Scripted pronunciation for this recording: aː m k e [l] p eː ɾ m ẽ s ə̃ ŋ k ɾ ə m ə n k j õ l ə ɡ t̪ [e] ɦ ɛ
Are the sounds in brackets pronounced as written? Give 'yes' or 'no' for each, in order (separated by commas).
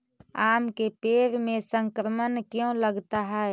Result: no, no